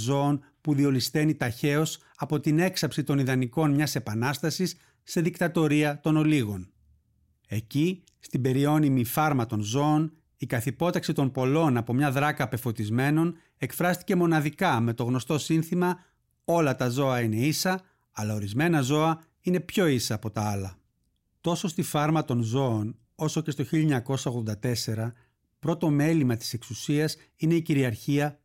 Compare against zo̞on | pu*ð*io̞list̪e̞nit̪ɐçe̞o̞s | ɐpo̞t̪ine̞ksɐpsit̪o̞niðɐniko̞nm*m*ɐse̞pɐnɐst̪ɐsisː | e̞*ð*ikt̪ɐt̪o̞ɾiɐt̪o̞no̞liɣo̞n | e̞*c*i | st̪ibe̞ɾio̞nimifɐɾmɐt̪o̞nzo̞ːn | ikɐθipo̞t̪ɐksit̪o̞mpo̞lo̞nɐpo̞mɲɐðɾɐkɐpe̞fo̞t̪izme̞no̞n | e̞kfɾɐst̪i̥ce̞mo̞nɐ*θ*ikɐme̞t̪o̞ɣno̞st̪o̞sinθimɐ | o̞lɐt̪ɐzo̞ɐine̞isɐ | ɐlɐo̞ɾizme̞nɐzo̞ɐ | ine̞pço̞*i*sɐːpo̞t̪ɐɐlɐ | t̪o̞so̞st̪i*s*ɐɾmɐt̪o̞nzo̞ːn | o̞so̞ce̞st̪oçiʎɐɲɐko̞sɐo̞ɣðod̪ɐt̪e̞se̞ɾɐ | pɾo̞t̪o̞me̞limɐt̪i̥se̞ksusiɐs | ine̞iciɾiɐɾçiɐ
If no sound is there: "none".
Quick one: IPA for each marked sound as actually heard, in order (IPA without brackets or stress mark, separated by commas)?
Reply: ð, ɲ, ð, c, ð, i, f